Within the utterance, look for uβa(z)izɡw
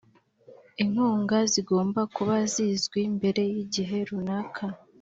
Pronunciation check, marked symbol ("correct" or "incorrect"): correct